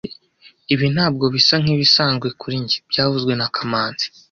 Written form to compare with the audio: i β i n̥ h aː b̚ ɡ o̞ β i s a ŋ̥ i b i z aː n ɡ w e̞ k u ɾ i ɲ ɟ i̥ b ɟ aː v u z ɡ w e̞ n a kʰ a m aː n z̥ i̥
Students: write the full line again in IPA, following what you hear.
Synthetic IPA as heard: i β i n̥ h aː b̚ ɡ o̞ β i s a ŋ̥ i β i s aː n ɡ w e̞ k u ɾ i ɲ ɟ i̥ b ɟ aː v u z ɡ w e̞ n a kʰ a m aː n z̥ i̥